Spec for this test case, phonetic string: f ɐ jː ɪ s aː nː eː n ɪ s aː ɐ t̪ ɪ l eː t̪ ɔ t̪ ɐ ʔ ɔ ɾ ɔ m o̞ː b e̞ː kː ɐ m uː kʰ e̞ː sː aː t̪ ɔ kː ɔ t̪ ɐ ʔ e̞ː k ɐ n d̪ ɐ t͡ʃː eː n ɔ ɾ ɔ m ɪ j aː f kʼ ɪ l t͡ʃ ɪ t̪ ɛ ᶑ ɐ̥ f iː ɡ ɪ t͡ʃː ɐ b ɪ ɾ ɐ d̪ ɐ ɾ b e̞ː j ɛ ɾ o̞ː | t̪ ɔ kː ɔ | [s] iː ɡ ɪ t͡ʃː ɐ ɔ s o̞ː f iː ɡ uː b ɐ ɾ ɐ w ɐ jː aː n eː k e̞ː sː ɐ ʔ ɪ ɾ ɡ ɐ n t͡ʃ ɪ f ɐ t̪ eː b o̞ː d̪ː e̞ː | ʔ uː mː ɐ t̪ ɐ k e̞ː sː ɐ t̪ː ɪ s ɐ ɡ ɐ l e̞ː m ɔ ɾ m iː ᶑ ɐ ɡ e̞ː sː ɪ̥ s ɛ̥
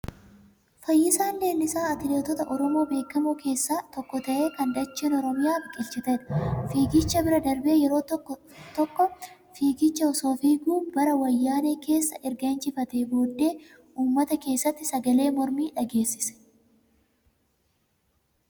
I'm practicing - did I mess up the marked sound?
yes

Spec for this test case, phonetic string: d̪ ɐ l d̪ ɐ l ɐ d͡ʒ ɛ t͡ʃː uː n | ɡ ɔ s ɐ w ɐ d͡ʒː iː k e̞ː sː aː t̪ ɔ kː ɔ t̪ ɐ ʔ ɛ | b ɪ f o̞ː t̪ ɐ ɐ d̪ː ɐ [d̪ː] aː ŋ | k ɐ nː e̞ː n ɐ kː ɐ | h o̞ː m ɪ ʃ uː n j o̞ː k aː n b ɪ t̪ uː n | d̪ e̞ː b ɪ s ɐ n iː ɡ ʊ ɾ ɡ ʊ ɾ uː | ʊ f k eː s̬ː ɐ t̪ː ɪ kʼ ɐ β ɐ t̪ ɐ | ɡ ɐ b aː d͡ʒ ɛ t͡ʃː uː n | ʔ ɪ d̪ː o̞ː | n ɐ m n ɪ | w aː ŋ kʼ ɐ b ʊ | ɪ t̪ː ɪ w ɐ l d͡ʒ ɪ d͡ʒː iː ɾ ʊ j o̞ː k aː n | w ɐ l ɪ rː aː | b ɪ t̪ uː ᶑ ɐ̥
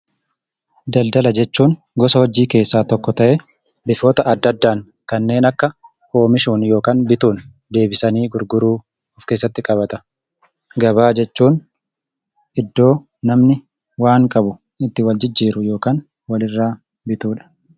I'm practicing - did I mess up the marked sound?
no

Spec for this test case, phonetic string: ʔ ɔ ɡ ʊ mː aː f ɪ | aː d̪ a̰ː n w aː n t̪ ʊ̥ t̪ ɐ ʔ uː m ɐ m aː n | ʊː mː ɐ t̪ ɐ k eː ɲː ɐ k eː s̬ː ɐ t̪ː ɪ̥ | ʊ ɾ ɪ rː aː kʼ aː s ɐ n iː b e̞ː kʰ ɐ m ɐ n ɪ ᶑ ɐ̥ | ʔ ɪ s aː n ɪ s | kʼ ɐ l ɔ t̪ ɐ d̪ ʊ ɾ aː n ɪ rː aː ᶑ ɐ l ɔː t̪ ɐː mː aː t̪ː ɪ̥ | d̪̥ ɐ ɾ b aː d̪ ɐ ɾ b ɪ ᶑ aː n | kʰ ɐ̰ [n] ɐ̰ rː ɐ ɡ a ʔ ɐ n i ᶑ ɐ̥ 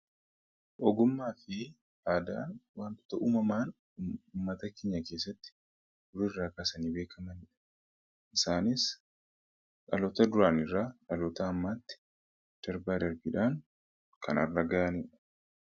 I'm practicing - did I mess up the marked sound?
no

